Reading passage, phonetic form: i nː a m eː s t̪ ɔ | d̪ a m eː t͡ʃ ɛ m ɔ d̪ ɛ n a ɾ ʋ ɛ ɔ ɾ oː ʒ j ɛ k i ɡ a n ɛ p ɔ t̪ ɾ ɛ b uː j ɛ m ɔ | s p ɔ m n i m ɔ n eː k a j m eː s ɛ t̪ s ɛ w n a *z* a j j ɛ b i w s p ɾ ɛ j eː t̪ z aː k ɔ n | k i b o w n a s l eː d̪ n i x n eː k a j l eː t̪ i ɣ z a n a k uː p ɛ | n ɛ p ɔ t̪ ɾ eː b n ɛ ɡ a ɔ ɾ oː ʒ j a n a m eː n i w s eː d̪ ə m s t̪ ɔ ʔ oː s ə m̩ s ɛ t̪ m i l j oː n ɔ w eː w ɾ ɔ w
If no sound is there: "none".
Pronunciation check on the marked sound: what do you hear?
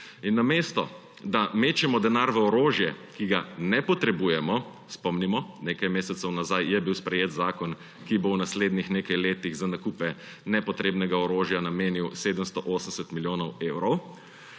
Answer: z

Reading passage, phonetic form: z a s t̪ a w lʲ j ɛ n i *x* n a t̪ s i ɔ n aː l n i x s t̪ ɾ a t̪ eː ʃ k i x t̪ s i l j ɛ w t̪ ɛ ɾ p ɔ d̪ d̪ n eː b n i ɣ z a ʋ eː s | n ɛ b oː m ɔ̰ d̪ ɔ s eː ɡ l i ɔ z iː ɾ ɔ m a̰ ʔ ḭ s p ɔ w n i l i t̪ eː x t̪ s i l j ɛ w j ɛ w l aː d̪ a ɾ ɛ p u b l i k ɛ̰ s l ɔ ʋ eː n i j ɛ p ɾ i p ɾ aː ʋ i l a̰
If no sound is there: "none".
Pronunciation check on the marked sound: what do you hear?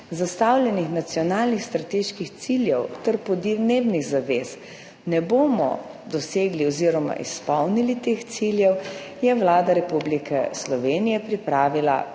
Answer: x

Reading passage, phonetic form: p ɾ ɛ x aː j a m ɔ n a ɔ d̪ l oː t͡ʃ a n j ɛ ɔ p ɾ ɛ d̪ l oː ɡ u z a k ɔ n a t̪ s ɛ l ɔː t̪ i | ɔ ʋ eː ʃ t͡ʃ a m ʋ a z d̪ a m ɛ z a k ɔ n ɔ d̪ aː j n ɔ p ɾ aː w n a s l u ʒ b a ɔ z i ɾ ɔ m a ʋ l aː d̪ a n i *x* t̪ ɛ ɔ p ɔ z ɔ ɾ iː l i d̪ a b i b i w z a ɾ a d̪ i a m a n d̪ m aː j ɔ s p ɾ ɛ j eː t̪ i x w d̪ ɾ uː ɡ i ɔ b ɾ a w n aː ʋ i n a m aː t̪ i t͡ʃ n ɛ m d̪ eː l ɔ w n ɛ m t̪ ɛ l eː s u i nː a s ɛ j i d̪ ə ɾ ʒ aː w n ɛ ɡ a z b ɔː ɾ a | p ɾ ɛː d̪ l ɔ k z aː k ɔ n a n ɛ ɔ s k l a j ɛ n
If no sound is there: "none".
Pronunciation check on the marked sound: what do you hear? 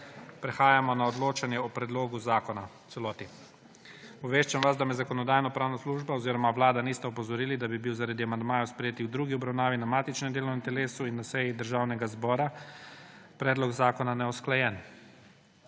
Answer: s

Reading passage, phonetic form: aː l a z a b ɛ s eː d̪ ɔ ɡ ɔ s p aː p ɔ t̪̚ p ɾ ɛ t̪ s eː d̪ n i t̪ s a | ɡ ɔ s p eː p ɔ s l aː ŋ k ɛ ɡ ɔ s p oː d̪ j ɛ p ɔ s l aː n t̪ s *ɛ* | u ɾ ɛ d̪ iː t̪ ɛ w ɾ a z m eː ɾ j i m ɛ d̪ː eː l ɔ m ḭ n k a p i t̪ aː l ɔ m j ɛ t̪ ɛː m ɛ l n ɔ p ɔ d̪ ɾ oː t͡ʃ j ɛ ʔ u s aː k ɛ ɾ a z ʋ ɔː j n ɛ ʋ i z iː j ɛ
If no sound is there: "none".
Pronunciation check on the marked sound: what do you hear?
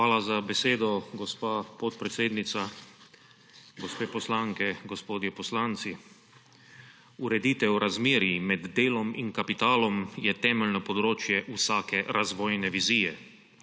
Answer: i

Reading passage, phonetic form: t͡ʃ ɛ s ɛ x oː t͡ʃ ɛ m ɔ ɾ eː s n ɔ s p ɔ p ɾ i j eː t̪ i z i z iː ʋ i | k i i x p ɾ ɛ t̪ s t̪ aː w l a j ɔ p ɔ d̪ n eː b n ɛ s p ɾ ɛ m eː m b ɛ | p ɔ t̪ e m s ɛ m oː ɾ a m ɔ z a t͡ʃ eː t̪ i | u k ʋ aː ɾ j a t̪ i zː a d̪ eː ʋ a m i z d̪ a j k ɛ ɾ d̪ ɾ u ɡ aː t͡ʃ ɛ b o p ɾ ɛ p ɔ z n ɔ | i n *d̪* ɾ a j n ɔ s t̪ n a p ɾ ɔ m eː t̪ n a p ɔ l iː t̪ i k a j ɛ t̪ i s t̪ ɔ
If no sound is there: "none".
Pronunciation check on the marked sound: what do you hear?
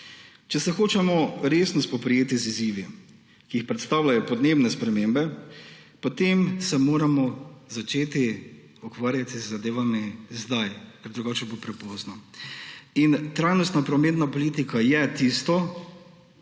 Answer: t̪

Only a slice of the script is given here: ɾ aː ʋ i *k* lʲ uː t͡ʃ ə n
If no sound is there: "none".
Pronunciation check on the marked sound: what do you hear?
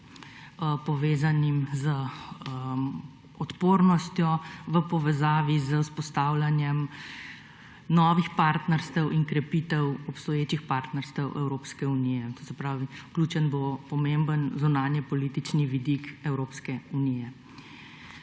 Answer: k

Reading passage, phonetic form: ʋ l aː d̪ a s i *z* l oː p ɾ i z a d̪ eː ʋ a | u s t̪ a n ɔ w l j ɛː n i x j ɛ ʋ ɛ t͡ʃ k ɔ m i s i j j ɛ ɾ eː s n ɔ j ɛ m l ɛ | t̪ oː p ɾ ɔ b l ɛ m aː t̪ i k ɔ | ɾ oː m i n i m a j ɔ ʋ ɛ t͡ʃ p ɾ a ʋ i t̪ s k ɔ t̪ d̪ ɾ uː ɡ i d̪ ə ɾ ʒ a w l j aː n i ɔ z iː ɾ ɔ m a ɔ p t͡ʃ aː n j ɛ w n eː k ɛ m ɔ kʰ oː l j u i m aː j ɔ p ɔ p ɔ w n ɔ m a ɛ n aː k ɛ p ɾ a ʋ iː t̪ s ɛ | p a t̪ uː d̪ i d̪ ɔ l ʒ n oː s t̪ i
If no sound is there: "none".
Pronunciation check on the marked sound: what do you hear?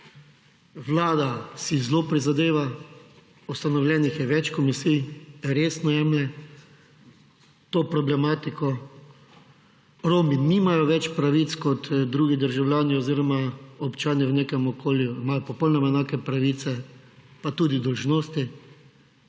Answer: z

